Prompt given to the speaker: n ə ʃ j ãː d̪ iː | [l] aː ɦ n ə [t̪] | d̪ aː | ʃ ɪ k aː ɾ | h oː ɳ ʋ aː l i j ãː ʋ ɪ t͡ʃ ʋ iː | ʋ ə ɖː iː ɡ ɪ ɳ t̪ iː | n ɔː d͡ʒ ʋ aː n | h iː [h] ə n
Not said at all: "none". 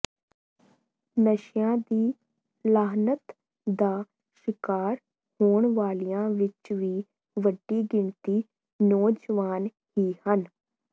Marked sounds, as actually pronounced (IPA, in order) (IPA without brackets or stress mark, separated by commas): l, t̪, h